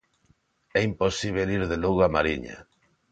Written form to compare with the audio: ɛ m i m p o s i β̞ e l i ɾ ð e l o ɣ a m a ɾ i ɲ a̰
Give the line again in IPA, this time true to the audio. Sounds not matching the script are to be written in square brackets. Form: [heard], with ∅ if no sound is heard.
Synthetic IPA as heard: ɛ [∅] i m p o s i β̞ e l i ɾ ð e l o ɣ a m a ɾ i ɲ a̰